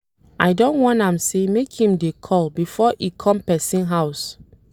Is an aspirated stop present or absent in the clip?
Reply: present